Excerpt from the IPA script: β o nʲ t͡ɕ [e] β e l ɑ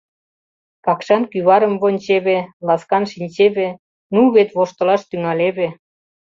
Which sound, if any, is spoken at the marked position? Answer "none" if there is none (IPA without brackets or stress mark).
e